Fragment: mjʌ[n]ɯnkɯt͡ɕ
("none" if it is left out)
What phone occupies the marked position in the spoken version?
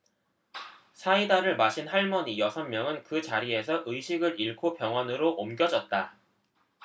ŋ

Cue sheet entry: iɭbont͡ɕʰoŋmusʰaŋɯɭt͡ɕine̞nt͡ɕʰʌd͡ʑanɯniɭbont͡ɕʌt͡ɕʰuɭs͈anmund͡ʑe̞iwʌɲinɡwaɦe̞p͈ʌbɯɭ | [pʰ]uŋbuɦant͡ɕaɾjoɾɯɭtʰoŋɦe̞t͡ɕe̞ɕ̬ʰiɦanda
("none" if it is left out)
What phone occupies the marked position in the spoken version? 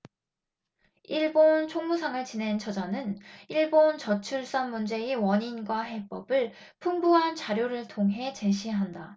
pʰ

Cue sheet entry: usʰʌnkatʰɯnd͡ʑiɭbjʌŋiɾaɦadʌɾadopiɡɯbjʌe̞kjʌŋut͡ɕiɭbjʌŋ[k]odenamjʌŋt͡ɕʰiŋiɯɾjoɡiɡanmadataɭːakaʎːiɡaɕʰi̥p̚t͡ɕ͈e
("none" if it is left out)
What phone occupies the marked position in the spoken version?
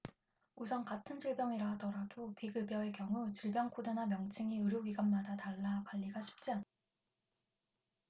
kʰ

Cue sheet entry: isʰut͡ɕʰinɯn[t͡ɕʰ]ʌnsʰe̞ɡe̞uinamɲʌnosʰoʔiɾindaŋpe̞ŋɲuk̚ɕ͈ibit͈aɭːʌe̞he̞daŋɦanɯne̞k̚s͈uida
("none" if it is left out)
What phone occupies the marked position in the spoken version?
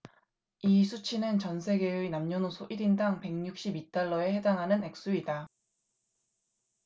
t͡ɕ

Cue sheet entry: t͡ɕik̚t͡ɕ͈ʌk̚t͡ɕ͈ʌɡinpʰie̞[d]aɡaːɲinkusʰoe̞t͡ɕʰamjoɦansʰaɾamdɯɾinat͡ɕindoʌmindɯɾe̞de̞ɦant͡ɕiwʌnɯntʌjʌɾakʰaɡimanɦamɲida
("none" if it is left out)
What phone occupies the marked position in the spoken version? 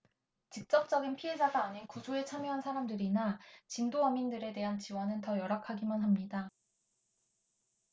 d͡ʑ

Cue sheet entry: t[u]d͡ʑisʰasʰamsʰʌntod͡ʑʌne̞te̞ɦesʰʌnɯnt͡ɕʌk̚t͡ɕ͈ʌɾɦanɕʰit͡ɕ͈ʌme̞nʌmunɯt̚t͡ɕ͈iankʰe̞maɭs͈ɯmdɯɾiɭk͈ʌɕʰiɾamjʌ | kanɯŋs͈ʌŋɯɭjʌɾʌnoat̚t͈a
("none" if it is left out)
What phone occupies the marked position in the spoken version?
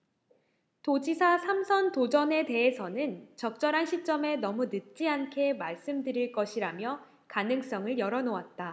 o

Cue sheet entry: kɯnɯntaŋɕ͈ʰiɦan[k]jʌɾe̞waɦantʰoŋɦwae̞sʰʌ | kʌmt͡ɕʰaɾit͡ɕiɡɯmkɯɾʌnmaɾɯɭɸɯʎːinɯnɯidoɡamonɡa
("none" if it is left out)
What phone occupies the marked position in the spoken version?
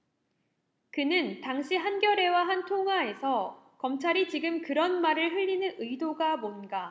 ɡ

